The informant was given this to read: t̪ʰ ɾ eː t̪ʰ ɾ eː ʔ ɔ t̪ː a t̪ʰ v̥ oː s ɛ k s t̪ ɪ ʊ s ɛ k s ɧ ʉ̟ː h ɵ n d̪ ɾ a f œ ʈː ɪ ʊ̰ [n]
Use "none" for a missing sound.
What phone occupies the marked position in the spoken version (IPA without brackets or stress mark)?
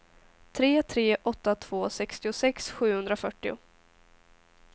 none